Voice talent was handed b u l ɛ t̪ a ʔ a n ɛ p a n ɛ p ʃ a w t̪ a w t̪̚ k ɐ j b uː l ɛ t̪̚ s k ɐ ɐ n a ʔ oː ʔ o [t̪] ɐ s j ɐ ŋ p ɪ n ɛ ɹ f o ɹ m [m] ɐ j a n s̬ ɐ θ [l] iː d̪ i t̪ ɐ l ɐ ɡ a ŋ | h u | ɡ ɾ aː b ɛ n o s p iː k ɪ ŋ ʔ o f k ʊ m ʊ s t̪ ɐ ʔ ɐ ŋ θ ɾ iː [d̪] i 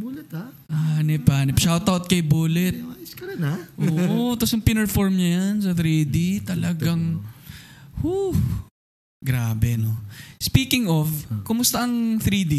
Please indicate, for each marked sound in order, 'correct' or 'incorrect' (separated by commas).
correct, incorrect, incorrect, correct